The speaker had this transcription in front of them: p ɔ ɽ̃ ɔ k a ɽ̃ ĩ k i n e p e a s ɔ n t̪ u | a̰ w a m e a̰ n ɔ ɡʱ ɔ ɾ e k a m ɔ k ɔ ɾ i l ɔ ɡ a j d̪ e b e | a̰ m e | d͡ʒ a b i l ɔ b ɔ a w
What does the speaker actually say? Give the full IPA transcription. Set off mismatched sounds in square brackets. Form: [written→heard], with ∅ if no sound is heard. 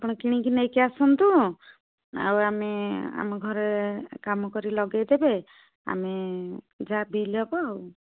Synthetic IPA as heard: p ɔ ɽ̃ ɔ k [a→i] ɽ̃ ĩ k i n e [p→k] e a s ɔ n t̪ u | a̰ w a m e a̰ [n→m] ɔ ɡʱ ɔ ɾ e k a m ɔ k ɔ ɾ i l ɔ ɡ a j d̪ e b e | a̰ m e | d͡ʒ a b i l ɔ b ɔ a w